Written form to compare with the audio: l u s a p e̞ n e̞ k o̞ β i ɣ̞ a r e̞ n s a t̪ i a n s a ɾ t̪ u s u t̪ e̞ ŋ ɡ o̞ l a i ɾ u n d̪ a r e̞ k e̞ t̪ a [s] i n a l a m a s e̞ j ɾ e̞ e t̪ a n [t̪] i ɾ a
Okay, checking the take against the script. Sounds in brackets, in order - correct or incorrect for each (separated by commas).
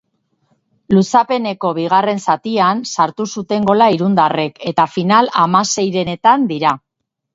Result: incorrect, incorrect